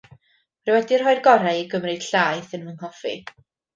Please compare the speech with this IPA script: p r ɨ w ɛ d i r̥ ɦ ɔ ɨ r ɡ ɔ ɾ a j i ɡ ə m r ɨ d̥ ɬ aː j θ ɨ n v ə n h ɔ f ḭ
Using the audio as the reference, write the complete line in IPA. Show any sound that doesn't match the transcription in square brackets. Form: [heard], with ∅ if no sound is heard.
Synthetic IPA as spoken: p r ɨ w ɛ d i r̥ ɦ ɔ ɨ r ɡ ɔ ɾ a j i ɡ ə m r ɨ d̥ ɬ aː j θ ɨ n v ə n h ɔ f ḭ